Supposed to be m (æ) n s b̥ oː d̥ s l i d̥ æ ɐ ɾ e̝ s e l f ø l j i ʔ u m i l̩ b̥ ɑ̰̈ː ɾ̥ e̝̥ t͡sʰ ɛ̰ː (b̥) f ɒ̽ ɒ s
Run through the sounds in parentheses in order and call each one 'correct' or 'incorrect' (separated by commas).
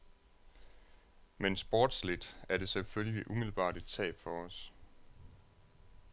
incorrect, correct